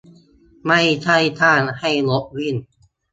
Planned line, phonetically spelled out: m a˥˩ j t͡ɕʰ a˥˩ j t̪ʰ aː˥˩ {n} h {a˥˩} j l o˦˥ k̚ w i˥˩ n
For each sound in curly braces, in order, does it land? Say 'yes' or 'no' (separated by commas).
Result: yes, yes